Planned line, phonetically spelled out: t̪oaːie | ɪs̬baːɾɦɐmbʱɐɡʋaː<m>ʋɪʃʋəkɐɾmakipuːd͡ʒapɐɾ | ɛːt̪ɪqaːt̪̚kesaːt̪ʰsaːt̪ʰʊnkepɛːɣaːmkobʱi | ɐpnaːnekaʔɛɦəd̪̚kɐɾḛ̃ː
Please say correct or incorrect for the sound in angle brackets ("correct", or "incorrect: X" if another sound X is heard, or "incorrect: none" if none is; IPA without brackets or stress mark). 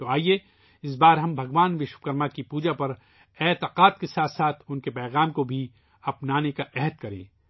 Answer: incorrect: n